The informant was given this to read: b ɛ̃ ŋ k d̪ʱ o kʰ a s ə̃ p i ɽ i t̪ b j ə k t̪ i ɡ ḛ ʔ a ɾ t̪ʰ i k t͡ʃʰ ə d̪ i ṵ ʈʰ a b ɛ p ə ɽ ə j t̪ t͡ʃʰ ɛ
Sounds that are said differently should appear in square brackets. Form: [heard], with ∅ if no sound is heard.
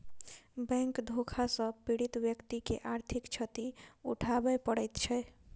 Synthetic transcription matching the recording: b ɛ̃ ŋ k d̪ʱ o kʰ a s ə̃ p i ɽ i t̪ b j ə k t̪ i [k] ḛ ʔ a ɾ t̪ʰ i k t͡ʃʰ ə [t̪] i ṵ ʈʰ a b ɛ p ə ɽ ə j t̪ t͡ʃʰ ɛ